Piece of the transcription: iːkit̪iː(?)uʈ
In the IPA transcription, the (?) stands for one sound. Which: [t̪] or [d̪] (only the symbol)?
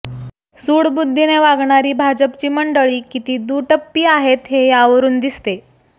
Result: d̪